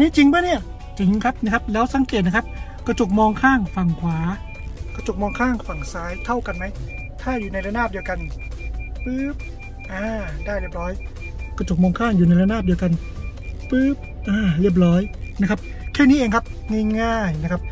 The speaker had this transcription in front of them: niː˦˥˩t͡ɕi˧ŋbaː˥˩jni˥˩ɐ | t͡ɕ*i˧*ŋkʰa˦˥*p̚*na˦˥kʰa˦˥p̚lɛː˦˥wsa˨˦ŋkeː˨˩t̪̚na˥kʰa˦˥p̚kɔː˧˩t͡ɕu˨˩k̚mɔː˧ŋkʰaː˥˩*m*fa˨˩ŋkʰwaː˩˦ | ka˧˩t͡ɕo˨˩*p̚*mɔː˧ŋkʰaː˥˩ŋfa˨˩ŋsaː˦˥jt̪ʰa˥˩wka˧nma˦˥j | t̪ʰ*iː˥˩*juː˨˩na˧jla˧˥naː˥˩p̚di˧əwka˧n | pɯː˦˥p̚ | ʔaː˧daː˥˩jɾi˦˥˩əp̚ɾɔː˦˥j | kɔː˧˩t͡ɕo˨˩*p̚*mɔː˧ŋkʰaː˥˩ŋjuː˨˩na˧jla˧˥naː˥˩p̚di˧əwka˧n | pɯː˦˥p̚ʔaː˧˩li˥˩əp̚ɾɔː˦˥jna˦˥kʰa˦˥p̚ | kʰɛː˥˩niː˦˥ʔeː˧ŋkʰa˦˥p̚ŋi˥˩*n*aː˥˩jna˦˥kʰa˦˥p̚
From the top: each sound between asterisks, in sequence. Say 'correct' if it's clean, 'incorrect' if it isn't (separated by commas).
correct, correct, incorrect, incorrect, incorrect, incorrect, incorrect